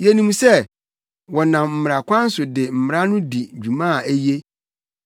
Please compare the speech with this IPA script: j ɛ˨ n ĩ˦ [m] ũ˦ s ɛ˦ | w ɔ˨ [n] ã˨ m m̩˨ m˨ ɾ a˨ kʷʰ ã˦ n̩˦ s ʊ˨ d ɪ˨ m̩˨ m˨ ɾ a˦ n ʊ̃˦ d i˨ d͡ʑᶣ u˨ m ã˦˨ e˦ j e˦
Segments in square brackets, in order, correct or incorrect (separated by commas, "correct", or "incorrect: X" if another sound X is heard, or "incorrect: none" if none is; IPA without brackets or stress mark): correct, correct